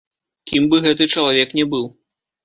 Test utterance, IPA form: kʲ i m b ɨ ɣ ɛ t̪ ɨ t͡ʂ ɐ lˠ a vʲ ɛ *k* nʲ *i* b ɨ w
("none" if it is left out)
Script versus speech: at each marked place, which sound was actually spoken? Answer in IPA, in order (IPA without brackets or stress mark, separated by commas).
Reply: k, ɛ